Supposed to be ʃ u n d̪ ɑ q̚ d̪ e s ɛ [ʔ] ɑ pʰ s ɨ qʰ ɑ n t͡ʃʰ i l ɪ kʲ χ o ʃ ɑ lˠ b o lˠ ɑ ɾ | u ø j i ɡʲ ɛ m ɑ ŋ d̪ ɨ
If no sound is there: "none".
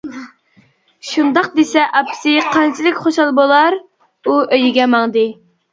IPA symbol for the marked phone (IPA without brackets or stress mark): ʔ